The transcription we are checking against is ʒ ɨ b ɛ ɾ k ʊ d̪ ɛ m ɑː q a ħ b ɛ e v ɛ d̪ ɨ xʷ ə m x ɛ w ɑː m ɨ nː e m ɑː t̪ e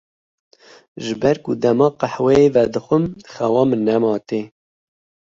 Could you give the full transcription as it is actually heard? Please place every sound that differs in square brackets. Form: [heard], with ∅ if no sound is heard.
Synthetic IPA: ʒ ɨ b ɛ ɾ k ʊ d̪ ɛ m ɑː q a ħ [w] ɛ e v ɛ d̪ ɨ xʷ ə m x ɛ w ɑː m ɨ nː [ɛ] m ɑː t̪ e